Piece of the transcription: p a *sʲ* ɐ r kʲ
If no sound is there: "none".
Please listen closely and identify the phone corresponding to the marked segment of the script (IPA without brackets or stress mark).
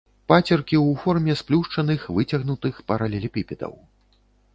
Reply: t͡sʲ